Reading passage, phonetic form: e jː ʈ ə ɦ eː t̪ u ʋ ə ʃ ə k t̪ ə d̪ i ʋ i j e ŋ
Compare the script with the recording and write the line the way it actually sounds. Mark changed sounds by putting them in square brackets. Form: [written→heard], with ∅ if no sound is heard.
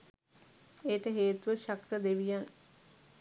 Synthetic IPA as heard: e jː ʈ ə ɦ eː t̪ u ʋ ə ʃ [ə→a] k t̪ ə d̪ [i→e] ʋ i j [e→a] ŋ